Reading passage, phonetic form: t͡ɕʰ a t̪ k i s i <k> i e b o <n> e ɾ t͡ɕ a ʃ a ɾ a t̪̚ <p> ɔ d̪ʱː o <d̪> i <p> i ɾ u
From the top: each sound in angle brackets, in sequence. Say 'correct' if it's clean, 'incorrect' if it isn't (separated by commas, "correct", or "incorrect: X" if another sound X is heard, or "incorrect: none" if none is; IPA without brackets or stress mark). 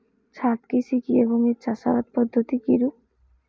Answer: correct, incorrect: ŋ, correct, incorrect: t̪, incorrect: k